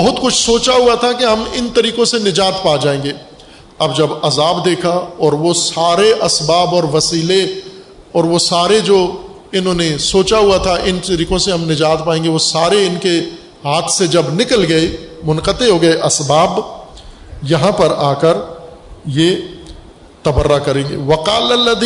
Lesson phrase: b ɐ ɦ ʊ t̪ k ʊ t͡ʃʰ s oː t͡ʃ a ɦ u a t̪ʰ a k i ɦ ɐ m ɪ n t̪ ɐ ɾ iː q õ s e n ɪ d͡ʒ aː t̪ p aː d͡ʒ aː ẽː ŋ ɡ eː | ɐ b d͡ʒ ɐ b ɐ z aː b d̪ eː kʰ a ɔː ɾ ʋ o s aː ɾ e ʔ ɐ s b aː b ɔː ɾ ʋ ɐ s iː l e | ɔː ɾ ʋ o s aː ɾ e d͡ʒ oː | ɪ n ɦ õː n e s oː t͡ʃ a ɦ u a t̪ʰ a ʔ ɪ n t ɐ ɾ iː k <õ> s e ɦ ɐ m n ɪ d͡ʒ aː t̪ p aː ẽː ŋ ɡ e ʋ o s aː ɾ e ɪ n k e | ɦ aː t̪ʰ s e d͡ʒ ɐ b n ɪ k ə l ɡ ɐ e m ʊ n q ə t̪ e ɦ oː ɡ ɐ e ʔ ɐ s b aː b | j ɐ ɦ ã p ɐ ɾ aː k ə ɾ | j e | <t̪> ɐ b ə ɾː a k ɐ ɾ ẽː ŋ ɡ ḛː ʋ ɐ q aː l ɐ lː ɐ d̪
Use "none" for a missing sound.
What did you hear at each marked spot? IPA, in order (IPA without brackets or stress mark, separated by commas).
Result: õ, t̪